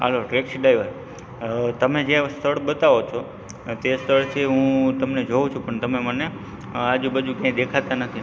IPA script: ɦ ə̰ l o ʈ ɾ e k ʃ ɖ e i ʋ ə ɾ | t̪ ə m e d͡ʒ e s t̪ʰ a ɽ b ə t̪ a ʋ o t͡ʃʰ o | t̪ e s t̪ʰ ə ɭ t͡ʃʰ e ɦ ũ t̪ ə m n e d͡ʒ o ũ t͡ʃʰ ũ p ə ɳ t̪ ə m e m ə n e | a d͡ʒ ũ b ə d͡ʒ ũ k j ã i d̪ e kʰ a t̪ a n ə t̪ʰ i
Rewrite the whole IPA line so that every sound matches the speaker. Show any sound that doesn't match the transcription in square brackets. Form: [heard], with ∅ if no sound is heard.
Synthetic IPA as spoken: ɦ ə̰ l o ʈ ɾ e k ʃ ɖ [a] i ʋ ə ɾ | t̪ ə m e d͡ʒ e s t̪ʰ [ə] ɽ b ə t̪ a ʋ o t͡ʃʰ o | t̪ e s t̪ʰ ə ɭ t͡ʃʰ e ɦ ũ t̪ ə m n e d͡ʒ o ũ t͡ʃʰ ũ p ə ɳ t̪ ə m e m ə n e | a d͡ʒ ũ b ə d͡ʒ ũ k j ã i d̪ e kʰ a t̪ a n ə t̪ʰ i